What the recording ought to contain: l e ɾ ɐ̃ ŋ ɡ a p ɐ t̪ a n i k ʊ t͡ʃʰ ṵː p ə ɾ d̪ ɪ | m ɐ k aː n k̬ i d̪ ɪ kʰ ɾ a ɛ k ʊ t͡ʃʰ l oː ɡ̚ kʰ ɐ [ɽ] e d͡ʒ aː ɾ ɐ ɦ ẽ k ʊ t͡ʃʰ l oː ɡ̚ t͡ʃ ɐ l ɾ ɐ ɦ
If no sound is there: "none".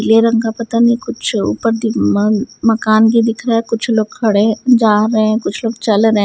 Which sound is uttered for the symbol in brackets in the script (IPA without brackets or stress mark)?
ɽ